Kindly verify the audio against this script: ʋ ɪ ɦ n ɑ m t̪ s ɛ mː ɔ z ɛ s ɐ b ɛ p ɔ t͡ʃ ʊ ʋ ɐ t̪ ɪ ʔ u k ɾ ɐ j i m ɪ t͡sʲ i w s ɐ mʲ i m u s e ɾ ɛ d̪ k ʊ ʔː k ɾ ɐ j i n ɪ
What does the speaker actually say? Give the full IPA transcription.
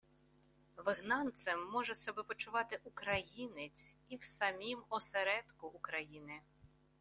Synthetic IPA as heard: ʋ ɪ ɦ n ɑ n t̪ s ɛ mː ɔ ʒ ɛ s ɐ b ɛ p ɔ t͡ʃ ʊ ʋ ɑ t̪ ɪ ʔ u k ɾ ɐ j i n ɪ t͡sʲ i w s ɐ mʲ i m ɔ s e ɾ ɛ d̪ k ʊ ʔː k ɾ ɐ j i n ɪ